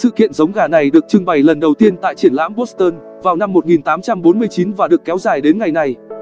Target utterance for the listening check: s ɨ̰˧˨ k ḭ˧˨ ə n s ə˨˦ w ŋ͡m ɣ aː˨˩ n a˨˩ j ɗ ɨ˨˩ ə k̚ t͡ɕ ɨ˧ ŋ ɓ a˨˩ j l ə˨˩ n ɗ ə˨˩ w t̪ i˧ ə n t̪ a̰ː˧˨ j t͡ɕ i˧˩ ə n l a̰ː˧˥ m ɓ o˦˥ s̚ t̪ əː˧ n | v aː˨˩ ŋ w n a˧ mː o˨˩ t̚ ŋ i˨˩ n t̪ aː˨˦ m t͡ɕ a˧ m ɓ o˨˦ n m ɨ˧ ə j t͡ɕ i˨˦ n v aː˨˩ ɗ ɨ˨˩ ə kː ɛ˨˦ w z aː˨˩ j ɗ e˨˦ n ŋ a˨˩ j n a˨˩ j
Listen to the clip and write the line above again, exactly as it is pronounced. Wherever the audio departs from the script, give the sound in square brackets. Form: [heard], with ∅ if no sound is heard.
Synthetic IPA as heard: s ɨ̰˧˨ k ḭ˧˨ ə n [z] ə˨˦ w ŋ͡m ɣ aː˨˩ n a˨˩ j ɗ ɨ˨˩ ə k̚ t͡ɕ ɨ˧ ŋ ɓ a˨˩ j l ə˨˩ n ɗ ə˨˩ w t̪ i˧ ə n t̪ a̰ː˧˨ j t͡ɕ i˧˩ ə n l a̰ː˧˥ m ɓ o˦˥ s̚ t̪ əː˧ n | v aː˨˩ [∅] w n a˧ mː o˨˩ t̚ ŋ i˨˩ n t̪ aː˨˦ m t͡ɕ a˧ m ɓ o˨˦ n m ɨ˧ ə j t͡ɕ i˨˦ n v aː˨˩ ɗ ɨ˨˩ ə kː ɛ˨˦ w z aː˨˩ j ɗ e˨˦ n ŋ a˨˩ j n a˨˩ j